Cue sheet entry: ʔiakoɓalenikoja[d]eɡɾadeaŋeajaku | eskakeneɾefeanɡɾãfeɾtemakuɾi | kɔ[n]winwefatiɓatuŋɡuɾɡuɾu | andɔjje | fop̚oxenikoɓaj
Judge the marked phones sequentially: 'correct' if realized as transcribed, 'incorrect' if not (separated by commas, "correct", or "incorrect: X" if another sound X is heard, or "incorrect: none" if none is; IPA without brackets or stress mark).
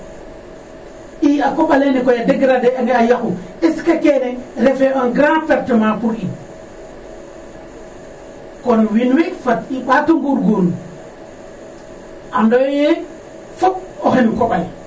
correct, correct